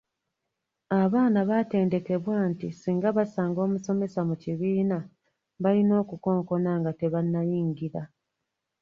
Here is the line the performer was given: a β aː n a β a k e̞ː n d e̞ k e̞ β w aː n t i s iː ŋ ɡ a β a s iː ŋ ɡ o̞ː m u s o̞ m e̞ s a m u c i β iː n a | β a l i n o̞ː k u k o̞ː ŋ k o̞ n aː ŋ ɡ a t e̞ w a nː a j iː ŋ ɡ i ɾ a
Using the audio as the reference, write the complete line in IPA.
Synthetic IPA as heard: a β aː n a β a t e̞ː n d e̞ k e̞ β w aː n t i s iː ŋ ɡ a β a s aː ŋ ɡ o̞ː m u s o̞ m e̞ s a m u c i β iː n a | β a l i n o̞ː k u k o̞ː ŋ k o̞ n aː ŋ ɡ a t e̞ β a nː a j iː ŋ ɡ i ɾ a